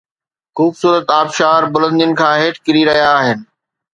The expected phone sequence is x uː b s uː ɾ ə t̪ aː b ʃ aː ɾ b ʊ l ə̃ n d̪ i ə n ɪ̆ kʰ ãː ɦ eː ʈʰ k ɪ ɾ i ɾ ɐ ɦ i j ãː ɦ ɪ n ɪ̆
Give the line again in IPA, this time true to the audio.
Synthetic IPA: x uː b s uː ɾ ə t̪ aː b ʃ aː ɾ b ʊ l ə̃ n d̪ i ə n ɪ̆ kʰ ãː ɦ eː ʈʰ k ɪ ɾ i ɾ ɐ ɦ i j aː ɦ ɪ n ɪ̆